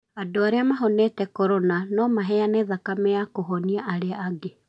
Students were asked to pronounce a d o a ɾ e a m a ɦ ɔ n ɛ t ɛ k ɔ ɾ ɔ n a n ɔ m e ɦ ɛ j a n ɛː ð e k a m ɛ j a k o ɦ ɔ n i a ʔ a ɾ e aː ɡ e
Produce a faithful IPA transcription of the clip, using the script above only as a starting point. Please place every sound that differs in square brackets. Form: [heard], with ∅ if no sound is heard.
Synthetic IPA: a d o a ɾ e a m a ɦ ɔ n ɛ t ɛ k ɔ ɾ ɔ n a n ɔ m [a] ɦ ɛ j a n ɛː ð [a] k a m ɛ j a k o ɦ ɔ n i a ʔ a ɾ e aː ɡ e